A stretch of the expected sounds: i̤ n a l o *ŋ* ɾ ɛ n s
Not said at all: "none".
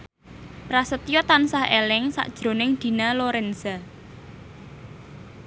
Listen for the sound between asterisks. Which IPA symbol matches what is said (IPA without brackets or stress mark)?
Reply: none